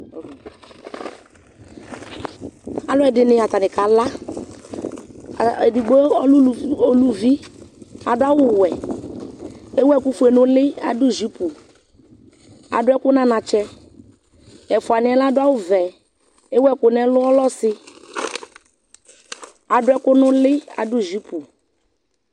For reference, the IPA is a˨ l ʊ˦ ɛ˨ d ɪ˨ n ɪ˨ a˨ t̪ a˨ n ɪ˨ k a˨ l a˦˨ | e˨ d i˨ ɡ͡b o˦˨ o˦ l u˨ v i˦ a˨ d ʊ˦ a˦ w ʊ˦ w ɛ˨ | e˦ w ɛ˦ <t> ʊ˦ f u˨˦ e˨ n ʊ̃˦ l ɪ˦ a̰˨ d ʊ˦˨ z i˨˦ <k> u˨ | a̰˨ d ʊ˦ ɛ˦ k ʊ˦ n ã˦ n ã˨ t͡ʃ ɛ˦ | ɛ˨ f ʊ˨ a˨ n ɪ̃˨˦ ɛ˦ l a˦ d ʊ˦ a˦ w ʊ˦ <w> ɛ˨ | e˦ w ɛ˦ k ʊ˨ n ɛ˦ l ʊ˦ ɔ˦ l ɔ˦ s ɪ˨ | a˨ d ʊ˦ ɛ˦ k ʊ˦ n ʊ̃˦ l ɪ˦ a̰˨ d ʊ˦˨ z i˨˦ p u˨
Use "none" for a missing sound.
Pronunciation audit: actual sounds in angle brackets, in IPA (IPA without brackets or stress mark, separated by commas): k, p, v